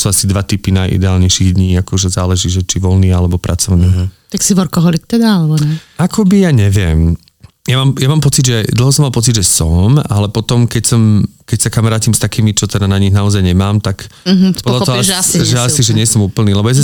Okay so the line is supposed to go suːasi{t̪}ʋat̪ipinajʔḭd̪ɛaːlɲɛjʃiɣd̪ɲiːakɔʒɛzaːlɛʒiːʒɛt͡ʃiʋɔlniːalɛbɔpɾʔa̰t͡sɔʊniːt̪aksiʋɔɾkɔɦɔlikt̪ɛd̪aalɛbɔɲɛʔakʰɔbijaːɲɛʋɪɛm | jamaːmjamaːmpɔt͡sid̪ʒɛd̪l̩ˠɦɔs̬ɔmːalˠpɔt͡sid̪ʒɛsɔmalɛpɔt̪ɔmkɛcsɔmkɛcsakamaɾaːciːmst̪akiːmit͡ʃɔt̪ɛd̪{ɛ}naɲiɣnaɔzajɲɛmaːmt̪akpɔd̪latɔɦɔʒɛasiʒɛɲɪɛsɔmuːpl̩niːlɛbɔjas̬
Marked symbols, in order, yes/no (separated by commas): no, no